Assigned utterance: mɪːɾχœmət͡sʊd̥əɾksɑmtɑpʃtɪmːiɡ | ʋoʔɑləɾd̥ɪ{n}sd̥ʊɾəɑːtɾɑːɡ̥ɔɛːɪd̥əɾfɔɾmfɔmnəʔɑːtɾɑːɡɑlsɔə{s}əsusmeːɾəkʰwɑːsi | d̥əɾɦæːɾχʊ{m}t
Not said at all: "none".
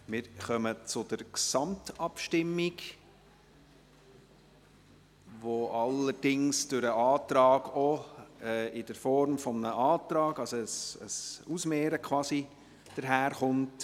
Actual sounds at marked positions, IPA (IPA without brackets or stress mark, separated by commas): ŋ, s, n